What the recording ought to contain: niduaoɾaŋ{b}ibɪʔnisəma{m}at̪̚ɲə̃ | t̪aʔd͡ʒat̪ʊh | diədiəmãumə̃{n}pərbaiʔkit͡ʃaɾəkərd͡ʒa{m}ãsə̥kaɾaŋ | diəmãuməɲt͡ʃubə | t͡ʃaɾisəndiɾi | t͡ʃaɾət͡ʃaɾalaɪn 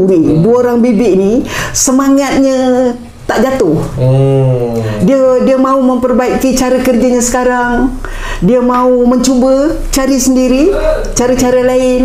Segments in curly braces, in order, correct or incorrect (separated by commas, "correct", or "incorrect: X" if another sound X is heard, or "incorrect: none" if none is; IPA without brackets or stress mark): correct, incorrect: ŋ, incorrect: m, incorrect: ɲ